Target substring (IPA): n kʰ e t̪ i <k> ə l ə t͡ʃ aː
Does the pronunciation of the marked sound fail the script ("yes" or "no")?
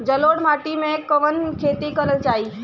no